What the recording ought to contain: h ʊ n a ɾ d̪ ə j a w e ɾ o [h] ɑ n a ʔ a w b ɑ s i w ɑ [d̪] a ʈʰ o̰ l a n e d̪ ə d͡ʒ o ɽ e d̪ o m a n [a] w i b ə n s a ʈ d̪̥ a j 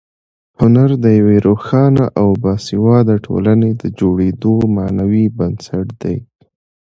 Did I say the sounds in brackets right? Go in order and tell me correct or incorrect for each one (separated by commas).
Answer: incorrect, correct, correct